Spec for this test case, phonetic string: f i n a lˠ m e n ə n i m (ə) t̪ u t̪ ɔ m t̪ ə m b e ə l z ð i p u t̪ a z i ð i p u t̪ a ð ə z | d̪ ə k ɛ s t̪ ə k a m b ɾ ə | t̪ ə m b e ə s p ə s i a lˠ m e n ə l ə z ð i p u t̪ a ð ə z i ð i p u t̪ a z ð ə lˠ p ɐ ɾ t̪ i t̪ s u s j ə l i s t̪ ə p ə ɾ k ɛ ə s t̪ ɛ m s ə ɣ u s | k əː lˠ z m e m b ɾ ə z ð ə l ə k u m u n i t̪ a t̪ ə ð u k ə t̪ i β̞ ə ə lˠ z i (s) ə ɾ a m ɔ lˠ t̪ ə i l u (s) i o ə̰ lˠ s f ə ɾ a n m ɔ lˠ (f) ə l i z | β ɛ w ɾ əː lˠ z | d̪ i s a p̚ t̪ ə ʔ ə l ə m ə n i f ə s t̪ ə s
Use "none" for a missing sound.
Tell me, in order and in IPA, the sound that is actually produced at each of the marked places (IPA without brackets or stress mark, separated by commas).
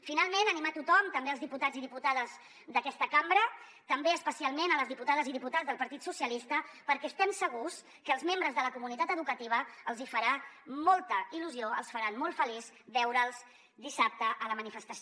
a, f, z, f